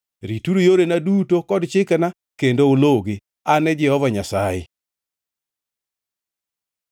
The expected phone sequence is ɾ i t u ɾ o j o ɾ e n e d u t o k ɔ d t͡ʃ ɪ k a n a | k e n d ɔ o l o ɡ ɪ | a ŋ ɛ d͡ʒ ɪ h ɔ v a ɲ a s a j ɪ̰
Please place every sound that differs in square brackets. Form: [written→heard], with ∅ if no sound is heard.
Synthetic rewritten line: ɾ i t u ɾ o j o ɾ e n [e→a] d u t o k ɔ d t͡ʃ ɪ k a n a | k e n d [ɔ→o] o l o ɡ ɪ | a [ŋ→n] ɛ d͡ʒ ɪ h ɔ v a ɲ a s a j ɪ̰

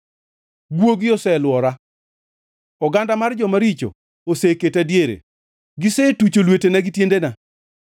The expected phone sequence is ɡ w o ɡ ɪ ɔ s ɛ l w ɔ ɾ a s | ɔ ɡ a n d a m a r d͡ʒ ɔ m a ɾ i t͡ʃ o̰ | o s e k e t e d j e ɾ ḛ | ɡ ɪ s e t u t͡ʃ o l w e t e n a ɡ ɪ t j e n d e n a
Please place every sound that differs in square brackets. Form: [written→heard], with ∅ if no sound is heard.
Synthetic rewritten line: ɡ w o ɡ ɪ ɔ s ɛ l w ɔ ɾ a [s→∅] | ɔ ɡ a n d a m a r d͡ʒ ɔ m a ɾ i t͡ʃ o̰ | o s e k e t [e→a] d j e ɾ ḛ | ɡ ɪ s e t u t͡ʃ o l w e t e n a ɡ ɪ t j e n d e n a

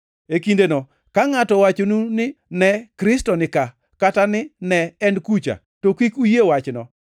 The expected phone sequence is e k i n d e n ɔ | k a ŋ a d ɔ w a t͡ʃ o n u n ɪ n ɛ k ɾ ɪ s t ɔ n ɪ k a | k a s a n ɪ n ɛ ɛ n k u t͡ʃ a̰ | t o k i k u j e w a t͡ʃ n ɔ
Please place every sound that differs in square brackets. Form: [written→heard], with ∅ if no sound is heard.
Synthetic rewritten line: e k i n d e n ɔ | k a ŋ a [d→t] ɔ w a t͡ʃ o n u n ɪ n ɛ k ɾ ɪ s t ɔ n ɪ k a | k a [s→t] a n ɪ n ɛ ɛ n k u t͡ʃ a̰ | t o k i k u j e w a t͡ʃ n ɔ

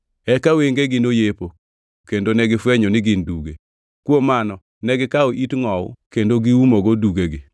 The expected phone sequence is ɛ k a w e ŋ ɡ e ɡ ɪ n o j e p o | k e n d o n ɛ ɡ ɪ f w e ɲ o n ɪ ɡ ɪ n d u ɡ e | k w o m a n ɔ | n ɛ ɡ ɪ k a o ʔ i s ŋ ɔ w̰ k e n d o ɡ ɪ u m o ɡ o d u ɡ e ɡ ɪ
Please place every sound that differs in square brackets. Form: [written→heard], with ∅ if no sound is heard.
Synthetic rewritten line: ɛ k a w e ŋ ɡ e ɡ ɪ n o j e p o | k e n d o n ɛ ɡ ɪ f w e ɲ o n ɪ ɡ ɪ n d u ɡ e | k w o m a n ɔ | n ɛ ɡ ɪ k a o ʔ i [s→t] ŋ ɔ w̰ k e n d o ɡ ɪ u m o ɡ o d u ɡ e ɡ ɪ

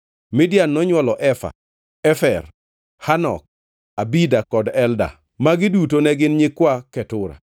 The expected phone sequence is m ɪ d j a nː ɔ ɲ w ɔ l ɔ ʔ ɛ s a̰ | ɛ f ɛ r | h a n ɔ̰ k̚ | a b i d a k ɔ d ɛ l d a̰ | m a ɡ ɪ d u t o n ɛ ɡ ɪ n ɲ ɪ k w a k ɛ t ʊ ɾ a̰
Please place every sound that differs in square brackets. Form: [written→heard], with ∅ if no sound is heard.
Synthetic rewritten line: m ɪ d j a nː ɔ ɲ w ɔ l ɔ ʔ ɛ [s→f] a̰ | ɛ f ɛ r | h a n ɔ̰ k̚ | a b i d a k ɔ d ɛ l d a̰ | m a ɡ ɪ d u t o n ɛ ɡ ɪ n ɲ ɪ k w a k ɛ t ʊ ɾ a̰

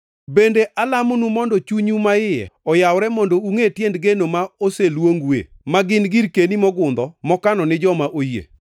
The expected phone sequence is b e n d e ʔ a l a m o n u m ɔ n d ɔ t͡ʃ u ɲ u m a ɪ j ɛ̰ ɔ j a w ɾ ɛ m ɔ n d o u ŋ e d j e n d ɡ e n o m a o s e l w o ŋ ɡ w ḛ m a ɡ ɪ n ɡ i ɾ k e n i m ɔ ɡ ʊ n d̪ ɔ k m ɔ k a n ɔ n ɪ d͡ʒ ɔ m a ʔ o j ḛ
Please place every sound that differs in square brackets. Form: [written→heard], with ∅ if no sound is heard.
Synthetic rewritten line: b e n d e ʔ a l a m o n u m ɔ n d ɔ t͡ʃ u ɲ u m a ɪ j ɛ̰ ɔ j a w ɾ ɛ m ɔ n d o u ŋ e [d→t] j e n d ɡ e n o m a o s e l w o ŋ ɡ w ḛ m a ɡ ɪ n ɡ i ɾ k e n i m ɔ ɡ ʊ n d̪ ɔ [k→∅] m ɔ k a n ɔ n ɪ d͡ʒ ɔ m a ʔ o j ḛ

